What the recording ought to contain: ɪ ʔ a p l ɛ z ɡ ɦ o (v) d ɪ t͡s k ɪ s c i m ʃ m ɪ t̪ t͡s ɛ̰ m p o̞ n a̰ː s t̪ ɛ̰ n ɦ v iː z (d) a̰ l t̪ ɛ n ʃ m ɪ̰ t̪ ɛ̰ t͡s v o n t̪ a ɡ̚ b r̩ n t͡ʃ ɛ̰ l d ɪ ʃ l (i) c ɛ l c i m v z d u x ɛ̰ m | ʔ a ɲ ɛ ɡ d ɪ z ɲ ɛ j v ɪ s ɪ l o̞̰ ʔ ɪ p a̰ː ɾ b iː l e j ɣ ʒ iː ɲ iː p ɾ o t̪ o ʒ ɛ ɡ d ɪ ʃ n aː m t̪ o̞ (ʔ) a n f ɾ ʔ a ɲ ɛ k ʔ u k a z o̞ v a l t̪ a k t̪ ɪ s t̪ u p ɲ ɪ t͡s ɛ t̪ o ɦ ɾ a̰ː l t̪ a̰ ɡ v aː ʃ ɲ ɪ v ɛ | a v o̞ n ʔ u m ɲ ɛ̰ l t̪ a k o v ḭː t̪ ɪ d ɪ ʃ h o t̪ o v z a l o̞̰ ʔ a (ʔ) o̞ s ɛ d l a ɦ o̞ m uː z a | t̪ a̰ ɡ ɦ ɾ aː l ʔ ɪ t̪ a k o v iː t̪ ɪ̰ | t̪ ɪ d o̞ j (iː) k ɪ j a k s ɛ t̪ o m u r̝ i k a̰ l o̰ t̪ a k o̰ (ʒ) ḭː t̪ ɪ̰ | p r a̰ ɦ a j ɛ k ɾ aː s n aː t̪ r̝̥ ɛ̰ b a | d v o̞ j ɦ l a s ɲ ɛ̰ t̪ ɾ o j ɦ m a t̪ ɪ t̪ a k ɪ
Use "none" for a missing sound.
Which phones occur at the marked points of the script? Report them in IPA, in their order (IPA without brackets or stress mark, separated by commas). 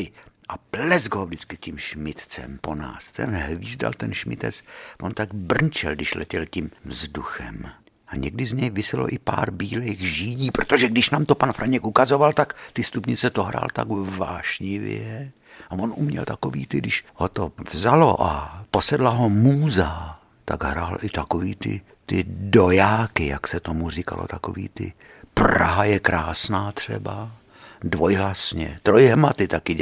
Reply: v, d, ɛ, p, p, aː, v